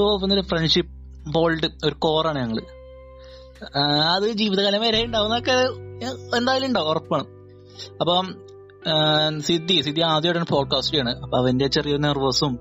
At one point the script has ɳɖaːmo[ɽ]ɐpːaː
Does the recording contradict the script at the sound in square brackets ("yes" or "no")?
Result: yes